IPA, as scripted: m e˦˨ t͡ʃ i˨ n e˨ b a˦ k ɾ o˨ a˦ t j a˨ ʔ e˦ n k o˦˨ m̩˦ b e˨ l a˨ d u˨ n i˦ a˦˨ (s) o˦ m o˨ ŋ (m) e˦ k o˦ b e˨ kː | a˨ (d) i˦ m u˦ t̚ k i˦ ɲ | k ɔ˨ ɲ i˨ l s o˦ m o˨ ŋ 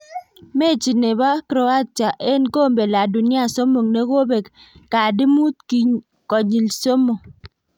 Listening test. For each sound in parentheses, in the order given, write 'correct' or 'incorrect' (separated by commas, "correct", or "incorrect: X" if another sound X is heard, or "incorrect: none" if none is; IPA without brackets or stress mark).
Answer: correct, incorrect: n, correct